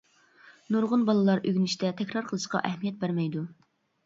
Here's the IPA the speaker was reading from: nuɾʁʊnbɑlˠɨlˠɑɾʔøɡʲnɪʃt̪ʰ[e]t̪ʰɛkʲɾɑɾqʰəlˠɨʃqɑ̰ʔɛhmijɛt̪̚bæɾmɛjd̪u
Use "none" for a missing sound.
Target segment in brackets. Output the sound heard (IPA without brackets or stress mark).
ɛ